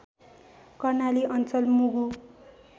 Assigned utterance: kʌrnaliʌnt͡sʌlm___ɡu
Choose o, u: u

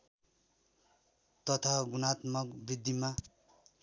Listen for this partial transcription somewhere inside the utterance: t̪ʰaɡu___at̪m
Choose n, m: n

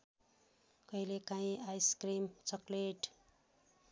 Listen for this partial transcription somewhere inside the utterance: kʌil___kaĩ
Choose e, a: e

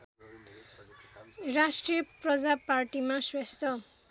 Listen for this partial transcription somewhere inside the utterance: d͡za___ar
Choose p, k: p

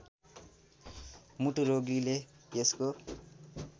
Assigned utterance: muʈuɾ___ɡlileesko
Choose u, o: o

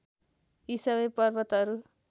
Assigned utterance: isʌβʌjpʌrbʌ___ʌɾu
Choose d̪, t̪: t̪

